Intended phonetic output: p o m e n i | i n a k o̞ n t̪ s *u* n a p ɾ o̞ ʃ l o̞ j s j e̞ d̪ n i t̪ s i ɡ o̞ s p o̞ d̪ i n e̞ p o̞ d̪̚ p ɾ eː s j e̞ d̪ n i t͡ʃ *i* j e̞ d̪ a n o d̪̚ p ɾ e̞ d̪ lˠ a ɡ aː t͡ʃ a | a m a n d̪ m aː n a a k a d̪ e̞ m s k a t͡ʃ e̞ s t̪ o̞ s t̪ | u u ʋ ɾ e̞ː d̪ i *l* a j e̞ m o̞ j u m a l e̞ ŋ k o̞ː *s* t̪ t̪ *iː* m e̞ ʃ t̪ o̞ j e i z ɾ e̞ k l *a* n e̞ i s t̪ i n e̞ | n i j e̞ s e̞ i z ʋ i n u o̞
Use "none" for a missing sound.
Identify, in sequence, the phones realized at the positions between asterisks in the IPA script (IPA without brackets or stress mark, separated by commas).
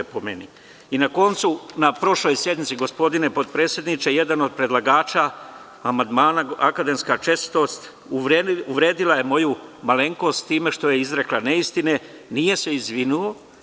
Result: u, e, l, s, iː, a